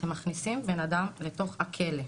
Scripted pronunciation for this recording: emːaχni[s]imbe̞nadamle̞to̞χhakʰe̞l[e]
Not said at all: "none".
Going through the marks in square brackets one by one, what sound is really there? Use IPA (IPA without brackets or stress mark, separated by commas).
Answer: s, e